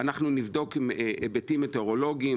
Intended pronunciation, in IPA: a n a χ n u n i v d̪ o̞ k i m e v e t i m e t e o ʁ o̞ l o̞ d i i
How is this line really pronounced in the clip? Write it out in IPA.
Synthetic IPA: a n a χ n u n i v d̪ o̞ k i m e b e t i m e t e o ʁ o̞ l o̞ ɡ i i